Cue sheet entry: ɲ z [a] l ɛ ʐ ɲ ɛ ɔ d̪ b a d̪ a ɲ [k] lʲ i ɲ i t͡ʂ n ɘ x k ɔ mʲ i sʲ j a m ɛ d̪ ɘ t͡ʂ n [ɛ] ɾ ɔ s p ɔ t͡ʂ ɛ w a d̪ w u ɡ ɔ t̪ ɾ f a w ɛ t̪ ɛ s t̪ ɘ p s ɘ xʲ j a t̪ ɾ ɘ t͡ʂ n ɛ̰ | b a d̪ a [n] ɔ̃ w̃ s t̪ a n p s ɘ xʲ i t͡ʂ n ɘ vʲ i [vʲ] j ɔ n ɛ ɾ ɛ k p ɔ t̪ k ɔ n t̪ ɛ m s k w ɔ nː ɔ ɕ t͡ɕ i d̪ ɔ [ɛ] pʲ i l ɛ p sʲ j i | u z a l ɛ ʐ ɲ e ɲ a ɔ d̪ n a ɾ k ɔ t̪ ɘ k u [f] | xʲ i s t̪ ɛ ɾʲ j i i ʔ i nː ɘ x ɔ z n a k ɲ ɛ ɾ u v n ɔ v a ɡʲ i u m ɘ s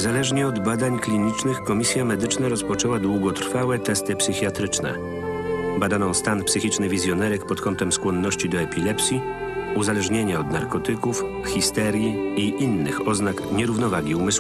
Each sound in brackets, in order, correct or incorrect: correct, correct, incorrect: a, correct, incorrect: zʲ, correct, correct

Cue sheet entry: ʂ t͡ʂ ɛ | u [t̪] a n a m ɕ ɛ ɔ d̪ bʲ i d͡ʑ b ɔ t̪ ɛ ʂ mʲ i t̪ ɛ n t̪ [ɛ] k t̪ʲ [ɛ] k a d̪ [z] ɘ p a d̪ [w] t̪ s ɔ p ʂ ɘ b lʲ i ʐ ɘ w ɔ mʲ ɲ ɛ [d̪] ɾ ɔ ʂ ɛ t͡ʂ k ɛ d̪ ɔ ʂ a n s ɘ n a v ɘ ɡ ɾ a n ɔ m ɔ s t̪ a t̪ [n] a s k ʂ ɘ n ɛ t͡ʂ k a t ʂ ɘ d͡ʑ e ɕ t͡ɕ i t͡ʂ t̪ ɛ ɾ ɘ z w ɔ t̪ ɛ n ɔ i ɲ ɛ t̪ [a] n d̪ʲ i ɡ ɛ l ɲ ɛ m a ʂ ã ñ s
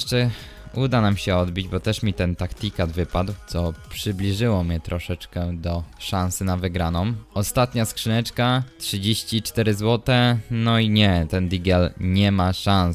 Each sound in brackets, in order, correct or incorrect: incorrect: d̪, incorrect: a, incorrect: i, incorrect: v, correct, incorrect: t̪, incorrect: ɲ, incorrect: ɛ

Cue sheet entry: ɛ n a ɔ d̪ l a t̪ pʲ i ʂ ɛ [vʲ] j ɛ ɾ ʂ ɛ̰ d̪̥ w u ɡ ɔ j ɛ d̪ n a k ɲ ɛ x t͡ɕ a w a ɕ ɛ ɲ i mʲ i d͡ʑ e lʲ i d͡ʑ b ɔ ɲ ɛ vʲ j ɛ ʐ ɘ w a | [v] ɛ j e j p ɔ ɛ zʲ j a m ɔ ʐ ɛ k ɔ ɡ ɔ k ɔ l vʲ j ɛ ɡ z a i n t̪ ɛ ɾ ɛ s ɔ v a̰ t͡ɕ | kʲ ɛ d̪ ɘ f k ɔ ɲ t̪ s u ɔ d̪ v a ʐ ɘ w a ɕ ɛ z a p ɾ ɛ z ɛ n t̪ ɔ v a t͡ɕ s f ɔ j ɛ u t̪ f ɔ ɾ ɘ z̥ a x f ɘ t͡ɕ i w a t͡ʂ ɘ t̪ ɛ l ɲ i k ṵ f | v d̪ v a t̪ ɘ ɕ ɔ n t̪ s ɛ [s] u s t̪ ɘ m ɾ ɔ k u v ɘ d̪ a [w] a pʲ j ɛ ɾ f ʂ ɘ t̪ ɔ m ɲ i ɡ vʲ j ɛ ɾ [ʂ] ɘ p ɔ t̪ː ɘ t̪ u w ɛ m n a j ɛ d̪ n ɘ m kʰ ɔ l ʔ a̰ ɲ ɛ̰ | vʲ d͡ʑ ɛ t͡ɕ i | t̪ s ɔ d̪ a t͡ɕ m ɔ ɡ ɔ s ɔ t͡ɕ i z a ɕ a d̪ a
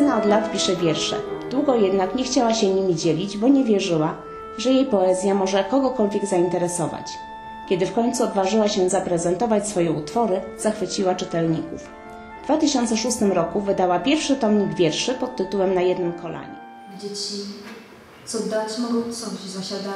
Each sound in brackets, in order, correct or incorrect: correct, incorrect: ʐ, incorrect: ʂ, correct, correct

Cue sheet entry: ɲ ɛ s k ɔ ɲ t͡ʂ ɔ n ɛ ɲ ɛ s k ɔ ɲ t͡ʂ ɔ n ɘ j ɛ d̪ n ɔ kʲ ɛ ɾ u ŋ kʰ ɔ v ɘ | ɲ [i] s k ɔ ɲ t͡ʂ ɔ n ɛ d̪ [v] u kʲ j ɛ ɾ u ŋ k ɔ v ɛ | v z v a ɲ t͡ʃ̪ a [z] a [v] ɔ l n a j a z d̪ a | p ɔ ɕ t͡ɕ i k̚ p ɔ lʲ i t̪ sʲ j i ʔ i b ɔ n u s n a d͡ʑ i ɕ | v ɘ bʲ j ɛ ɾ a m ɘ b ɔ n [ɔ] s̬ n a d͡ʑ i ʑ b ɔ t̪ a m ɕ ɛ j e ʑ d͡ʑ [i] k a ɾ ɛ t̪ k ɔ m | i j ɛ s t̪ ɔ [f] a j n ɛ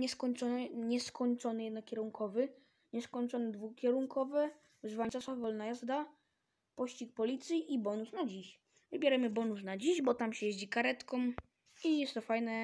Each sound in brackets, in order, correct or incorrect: incorrect: ɛ, correct, incorrect: s, correct, incorrect: u, correct, correct

